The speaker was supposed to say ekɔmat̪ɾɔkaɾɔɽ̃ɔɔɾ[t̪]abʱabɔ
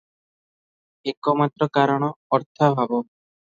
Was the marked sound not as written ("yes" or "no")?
yes